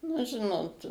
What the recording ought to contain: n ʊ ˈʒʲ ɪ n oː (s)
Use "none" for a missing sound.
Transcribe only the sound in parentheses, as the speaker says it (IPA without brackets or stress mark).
t